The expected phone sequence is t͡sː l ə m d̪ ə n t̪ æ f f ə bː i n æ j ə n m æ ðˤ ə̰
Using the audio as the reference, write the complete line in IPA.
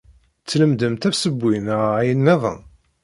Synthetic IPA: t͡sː l ə m d̪ ə m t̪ æ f s ə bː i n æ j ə n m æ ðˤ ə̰